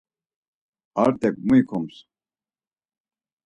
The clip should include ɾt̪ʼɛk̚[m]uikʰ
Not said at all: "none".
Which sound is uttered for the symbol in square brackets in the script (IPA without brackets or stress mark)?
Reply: m